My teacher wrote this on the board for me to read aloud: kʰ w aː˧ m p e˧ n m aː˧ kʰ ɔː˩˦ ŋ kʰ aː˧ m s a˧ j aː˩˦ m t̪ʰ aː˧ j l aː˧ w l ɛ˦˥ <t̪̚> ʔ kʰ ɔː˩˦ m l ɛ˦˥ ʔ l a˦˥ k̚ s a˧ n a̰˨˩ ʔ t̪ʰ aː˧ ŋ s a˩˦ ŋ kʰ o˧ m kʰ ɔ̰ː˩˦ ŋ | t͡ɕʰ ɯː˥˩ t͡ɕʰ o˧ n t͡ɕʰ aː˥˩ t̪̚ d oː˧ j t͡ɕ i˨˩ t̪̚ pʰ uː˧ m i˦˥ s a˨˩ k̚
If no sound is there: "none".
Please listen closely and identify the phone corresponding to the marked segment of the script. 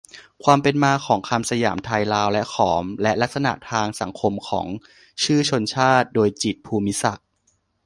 none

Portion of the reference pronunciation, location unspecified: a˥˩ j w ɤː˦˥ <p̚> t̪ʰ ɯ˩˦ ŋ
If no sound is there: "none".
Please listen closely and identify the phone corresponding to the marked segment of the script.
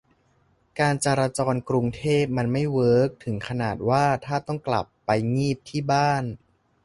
k̚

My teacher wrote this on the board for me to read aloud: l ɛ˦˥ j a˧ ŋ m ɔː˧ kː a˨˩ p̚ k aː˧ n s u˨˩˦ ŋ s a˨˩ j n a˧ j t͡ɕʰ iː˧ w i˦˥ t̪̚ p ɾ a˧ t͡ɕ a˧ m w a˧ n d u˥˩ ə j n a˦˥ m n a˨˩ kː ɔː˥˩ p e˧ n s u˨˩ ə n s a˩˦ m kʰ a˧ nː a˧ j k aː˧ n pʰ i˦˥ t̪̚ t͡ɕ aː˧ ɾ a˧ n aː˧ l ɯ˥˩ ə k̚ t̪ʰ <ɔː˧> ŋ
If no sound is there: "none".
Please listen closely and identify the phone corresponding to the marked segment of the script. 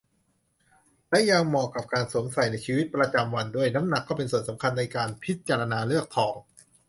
ɔː˩˦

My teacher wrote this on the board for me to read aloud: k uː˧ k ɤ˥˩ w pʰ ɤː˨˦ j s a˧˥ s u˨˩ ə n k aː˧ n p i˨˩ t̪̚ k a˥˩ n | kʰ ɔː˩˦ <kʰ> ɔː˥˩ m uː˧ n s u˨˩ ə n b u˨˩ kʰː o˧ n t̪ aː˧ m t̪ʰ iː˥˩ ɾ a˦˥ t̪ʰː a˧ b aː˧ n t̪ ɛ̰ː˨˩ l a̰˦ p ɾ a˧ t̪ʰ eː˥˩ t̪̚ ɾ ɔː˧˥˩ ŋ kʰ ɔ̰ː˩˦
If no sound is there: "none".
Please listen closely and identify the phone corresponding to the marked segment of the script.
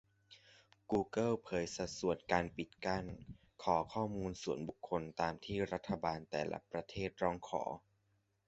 kʰ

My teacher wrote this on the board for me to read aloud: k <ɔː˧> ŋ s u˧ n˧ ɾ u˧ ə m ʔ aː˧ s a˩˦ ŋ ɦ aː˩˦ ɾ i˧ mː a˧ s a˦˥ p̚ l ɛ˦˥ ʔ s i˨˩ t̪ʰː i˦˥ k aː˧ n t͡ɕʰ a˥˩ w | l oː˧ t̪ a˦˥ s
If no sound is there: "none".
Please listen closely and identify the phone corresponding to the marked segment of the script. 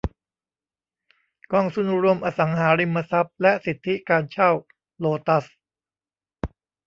ɔː˧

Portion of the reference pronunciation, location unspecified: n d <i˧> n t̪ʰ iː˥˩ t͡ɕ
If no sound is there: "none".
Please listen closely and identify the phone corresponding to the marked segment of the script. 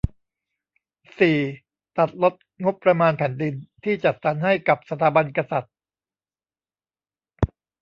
i˧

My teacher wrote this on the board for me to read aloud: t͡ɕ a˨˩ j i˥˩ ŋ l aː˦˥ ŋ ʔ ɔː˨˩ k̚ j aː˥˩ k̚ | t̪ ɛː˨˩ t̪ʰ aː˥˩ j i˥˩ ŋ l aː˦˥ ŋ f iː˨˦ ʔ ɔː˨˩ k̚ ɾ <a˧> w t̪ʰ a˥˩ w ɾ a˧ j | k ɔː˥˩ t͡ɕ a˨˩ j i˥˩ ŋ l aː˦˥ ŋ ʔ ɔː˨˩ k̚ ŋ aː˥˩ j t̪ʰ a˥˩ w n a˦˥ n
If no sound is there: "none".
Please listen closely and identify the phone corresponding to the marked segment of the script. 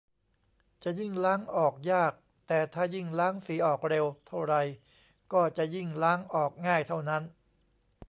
e˧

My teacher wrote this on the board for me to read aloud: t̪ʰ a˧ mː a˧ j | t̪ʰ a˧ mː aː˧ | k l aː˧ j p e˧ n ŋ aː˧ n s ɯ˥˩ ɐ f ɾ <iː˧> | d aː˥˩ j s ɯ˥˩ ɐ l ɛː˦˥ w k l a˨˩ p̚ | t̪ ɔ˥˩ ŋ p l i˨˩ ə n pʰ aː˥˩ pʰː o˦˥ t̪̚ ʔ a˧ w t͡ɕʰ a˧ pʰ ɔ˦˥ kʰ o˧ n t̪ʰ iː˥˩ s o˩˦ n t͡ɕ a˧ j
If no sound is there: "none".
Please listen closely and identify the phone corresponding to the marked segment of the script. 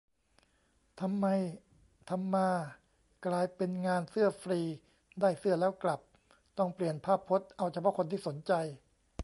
iː˧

